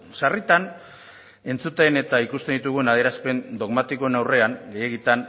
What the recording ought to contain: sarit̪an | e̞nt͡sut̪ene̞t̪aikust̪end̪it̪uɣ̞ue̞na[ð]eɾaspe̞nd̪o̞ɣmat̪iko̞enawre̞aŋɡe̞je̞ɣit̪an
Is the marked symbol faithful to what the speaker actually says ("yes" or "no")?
yes